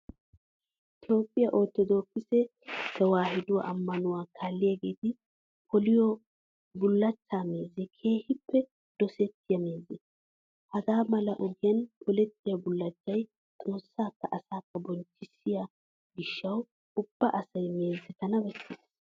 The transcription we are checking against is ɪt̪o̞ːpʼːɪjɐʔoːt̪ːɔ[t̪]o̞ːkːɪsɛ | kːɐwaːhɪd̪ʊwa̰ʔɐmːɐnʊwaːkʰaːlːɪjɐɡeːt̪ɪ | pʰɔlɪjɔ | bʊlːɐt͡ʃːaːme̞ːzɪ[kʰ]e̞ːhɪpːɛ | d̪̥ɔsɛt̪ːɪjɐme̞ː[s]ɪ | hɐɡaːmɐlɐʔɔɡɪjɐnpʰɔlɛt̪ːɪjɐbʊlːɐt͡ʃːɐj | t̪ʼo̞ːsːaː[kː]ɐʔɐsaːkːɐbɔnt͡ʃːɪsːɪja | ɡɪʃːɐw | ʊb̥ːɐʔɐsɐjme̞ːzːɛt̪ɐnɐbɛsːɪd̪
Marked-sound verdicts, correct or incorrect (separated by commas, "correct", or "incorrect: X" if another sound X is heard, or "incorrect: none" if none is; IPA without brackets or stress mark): incorrect: d̪, correct, incorrect: z, correct